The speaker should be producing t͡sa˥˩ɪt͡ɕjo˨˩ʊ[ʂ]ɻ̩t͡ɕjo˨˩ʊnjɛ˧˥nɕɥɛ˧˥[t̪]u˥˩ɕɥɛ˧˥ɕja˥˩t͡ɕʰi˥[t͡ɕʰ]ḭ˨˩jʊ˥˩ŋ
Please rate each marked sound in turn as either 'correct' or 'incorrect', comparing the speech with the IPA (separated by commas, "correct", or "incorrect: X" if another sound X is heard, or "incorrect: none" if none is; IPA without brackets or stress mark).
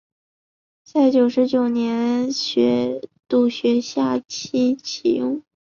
correct, correct, correct